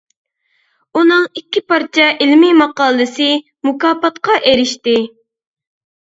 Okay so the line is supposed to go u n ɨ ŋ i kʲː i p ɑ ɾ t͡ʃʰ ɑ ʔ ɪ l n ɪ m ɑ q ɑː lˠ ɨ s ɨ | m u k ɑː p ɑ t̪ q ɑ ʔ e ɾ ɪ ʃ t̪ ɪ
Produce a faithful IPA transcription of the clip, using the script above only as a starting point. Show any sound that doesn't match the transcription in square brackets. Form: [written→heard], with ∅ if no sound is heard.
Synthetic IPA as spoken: u n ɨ ŋ i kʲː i p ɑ ɾ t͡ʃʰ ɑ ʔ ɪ l [n→m] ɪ m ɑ q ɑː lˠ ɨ s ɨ | m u k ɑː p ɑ t̪ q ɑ ʔ e ɾ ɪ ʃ t̪ ɪ